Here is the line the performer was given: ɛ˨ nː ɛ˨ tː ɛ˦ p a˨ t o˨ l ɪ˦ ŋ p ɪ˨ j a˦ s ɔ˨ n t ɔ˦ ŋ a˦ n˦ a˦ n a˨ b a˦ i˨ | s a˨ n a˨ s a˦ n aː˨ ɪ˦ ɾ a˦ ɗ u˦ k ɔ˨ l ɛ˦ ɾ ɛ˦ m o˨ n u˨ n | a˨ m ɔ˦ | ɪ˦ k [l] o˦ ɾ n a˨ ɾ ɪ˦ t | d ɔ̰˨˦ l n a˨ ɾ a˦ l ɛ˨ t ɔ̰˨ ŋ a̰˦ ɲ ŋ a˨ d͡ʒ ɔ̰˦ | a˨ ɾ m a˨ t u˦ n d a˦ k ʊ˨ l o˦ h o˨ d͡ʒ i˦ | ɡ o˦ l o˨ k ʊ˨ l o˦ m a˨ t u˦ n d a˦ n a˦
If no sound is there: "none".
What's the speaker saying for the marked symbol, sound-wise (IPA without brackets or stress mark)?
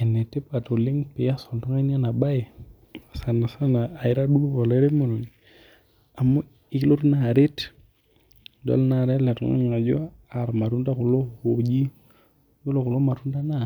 l